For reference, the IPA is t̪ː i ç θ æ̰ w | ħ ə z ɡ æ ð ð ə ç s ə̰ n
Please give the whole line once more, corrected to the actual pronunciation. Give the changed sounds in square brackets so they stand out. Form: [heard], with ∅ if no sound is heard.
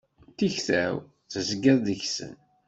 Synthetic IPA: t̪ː i ç θ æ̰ w | [θ] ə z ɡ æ ð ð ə ç s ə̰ n